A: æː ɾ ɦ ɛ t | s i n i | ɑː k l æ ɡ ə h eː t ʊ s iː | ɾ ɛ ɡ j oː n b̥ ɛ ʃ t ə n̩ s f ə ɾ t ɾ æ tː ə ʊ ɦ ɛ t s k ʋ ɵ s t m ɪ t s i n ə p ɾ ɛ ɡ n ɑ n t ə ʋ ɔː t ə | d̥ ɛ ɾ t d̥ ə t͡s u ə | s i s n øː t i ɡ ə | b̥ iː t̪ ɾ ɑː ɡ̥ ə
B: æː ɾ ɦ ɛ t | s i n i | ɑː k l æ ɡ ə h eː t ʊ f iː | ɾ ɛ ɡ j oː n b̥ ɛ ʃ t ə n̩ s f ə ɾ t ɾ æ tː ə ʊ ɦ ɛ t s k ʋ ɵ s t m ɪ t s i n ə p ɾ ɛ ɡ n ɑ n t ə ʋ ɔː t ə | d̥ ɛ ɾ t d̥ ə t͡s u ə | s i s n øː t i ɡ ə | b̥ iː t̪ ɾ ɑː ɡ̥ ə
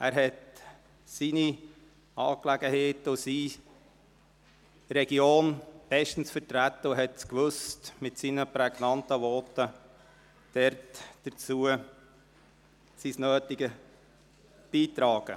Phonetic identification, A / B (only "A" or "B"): A